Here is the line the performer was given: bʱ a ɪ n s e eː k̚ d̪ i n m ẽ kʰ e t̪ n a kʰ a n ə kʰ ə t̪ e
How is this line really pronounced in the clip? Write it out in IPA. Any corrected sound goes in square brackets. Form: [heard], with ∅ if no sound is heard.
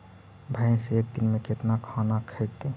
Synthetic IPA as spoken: bʱ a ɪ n s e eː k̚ d̪ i n m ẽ [k] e t̪ n a kʰ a n [a] kʰ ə t̪ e